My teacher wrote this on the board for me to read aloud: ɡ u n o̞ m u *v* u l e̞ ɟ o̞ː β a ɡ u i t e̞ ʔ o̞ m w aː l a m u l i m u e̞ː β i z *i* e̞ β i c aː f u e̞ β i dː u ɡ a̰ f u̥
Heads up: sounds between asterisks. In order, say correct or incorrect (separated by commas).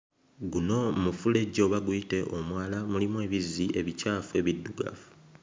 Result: incorrect, correct